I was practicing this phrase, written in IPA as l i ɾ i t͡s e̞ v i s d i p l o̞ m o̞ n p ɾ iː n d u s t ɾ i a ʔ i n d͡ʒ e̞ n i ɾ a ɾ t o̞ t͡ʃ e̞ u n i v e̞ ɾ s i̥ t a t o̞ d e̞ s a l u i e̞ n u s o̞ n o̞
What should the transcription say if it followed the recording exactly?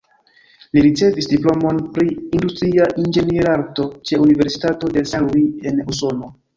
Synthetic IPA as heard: l i ɾ i t͡s e̞ v i s d i p l o̞ m o̞ n p ɾ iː n d u s t ɾ i a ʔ i n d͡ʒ e̞ n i ɾ a ɾ t o̞ t͡ʃ e̞ u n i v e̞ ɾ s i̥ t a t o̞ d e̞ s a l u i e̞ n u s o̞ n o̞